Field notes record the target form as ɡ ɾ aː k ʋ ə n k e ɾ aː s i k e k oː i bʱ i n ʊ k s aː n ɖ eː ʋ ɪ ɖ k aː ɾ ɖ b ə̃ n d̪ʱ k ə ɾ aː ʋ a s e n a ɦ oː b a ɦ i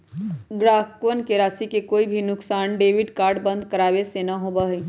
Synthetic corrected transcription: ɡ ɾ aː k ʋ ə n k e ɾ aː s i k e k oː i bʱ i n ʊ k s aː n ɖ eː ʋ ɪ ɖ k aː ɾ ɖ b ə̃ n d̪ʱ k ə ɾ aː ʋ e s e n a ɦ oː b a ɦ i